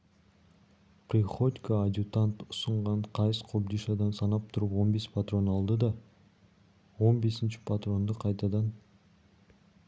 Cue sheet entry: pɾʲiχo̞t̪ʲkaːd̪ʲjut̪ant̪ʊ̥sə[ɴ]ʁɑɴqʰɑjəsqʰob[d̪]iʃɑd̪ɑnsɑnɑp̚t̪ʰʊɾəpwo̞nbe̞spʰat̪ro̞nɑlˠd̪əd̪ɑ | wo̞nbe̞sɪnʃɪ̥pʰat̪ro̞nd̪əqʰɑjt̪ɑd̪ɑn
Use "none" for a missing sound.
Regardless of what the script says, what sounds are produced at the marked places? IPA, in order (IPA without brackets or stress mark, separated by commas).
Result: ɴ, d̪